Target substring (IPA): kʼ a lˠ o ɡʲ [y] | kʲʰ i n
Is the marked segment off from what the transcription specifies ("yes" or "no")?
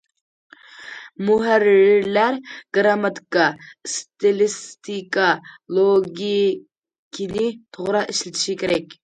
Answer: yes